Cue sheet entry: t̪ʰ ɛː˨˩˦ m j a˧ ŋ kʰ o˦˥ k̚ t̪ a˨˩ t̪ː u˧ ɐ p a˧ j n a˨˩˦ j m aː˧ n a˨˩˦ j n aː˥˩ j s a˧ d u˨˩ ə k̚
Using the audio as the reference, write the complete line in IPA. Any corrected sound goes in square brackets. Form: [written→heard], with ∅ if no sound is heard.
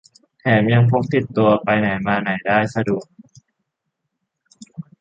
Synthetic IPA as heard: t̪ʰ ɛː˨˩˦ m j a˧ ŋ [kʰ→pʰ] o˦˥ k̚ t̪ [a˨˩→i˨˩] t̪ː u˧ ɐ p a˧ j n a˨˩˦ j m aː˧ n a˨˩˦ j [n→d] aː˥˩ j s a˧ d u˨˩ ə k̚